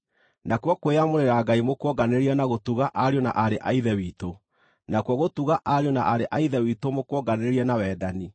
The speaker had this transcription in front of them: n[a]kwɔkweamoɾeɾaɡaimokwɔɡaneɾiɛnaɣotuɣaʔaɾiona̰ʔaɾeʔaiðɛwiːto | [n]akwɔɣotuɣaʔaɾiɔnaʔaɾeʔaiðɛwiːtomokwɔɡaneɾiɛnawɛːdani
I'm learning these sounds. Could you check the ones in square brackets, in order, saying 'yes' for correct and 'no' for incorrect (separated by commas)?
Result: yes, yes